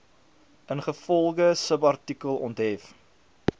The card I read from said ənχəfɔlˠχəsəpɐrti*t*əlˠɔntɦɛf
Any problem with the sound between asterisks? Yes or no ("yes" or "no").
yes